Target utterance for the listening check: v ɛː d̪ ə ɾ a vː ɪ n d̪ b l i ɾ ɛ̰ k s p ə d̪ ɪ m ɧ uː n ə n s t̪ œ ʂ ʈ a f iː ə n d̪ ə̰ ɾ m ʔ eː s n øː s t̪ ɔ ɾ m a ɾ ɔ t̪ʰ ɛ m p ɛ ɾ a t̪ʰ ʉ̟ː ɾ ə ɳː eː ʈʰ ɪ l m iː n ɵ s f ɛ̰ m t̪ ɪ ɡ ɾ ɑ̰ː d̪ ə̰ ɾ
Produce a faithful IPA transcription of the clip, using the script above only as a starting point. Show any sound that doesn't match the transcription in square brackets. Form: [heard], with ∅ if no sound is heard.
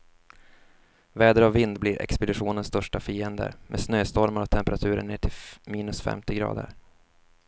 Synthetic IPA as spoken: v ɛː d̪ ə ɾ a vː ɪ n d̪ b l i ɾ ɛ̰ k s p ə d̪ ɪ [∅] ɧ uː n ə n s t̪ œ ʂ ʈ a f iː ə n d̪ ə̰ ɾ m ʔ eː s n øː s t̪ ɔ ɾ m a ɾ ɔ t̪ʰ ɛ m p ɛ ɾ a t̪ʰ ʉ̟ː ɾ ə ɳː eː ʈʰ ɪ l m iː n ɵ s f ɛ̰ m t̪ ɪ ɡ ɾ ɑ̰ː d̪ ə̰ ɾ